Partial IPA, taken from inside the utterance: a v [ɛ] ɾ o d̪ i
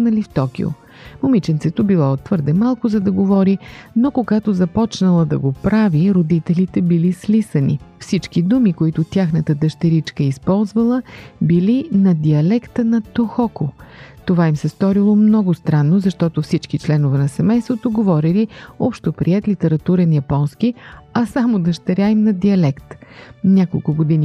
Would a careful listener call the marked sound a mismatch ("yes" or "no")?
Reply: yes